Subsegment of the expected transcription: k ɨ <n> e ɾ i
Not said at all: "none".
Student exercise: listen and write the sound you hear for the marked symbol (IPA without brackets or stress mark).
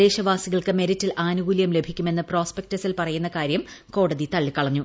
m